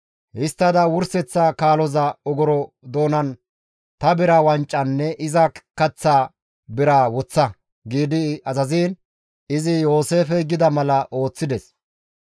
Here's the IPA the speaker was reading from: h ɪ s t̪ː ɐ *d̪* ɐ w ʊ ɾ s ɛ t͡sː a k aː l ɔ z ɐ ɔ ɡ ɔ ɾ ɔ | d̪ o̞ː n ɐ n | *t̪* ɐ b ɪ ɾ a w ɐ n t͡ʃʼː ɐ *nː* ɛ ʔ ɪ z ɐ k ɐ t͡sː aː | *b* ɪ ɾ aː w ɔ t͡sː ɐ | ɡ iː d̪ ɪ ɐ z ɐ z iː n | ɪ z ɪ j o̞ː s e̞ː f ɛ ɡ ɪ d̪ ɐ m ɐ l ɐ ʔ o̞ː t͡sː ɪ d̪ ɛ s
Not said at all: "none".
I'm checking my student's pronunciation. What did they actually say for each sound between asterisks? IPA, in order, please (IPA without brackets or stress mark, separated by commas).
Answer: d̪, t̪, nː, b